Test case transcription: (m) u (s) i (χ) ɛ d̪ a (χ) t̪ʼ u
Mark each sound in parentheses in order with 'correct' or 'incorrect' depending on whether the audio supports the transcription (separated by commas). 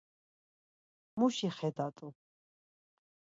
correct, incorrect, correct, incorrect